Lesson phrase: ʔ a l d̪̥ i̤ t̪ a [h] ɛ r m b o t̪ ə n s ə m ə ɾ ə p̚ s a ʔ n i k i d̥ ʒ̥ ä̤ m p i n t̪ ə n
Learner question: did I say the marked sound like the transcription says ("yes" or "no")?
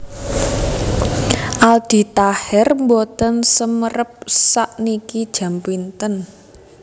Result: yes